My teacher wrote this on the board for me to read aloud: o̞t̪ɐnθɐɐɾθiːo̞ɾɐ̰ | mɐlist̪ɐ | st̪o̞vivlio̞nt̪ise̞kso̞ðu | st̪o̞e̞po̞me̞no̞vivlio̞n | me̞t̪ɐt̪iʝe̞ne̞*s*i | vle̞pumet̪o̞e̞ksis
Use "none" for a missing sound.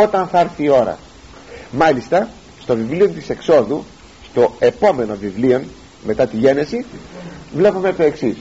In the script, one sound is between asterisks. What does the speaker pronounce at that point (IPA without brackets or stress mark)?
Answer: s